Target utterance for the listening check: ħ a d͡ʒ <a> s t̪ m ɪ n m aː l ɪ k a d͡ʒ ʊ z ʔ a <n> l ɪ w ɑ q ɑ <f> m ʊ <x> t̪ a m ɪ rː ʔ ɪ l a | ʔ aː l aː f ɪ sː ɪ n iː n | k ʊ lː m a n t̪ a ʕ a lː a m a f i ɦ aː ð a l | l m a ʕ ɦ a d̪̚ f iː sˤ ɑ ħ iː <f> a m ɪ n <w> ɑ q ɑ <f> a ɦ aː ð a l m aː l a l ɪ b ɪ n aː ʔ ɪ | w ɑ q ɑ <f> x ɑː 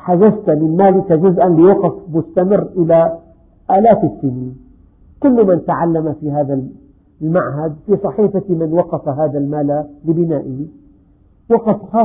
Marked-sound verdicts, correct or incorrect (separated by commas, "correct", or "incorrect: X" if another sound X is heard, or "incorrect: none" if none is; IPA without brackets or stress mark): correct, correct, correct, incorrect: s, correct, correct, correct, correct